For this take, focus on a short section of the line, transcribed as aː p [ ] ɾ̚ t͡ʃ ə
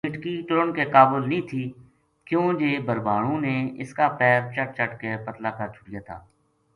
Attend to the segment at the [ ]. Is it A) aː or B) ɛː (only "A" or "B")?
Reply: B